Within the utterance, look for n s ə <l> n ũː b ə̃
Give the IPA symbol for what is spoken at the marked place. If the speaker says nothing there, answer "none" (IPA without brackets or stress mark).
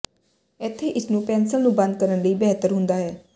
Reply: l